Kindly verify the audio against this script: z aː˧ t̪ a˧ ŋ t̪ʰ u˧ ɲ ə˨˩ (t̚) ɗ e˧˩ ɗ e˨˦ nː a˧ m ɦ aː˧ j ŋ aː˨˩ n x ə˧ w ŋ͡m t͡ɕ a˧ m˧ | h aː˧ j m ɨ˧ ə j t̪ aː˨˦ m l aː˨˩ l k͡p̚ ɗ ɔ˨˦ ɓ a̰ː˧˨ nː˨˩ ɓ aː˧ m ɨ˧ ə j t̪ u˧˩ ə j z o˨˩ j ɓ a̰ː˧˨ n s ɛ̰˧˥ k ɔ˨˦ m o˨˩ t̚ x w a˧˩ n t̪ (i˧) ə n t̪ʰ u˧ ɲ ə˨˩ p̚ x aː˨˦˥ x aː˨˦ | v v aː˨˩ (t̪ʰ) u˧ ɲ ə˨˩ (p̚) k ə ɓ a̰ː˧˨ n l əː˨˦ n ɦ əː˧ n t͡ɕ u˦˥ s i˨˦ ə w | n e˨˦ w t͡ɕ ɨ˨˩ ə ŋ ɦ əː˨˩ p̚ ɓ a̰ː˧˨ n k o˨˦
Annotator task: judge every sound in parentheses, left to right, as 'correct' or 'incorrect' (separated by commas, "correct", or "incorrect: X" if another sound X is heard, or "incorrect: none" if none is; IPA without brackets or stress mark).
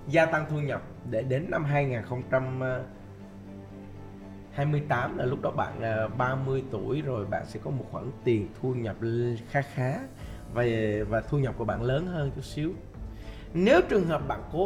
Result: incorrect: p̚, incorrect: i˨˩, correct, correct